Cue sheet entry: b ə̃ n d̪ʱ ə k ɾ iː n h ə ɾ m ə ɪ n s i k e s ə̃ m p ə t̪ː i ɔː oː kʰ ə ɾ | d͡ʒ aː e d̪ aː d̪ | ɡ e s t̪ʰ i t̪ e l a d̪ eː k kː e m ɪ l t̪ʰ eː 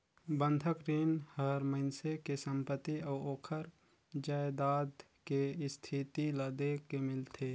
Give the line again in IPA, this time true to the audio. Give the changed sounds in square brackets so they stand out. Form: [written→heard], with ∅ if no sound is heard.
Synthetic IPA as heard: b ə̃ n d̪ʱ ə k ɾ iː n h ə ɾ m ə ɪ n s [i→e] k e s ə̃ m p ə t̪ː i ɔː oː kʰ ə ɾ | d͡ʒ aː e d̪ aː d̪ | [ɡ→k] e s t̪ʰ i t̪ [e→i] l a d̪ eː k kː e m ɪ l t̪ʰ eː